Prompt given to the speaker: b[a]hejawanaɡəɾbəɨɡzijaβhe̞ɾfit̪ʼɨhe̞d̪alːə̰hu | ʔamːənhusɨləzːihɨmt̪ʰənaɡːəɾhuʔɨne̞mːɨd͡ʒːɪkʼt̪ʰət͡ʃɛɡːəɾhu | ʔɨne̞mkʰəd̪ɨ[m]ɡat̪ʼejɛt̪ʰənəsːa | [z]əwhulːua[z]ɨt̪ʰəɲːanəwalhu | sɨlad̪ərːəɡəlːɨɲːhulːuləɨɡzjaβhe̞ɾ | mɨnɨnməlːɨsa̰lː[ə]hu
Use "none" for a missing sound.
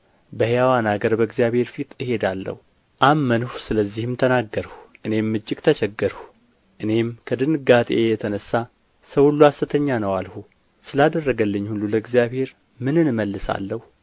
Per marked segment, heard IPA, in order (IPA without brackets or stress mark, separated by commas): ə, n, s, s, ə